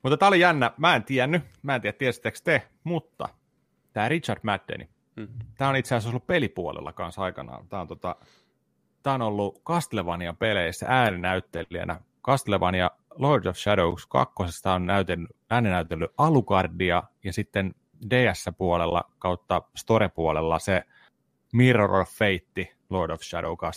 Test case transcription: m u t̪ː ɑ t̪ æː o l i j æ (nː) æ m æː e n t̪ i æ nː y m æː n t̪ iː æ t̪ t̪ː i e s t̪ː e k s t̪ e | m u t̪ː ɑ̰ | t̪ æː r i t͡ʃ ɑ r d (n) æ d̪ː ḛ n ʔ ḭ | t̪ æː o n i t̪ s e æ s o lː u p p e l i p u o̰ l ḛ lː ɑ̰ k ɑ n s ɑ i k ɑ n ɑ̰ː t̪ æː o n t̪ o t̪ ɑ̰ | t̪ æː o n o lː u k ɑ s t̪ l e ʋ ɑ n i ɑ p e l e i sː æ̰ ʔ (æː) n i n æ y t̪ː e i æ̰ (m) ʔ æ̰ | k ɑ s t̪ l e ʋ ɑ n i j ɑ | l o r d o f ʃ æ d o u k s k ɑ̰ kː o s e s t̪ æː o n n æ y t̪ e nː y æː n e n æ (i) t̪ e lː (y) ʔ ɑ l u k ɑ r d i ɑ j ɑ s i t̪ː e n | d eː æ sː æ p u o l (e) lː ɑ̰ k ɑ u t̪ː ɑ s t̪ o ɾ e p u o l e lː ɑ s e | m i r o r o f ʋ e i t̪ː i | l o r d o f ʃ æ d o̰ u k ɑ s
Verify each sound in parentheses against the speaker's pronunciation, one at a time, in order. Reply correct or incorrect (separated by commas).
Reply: correct, incorrect, correct, incorrect, incorrect, correct, correct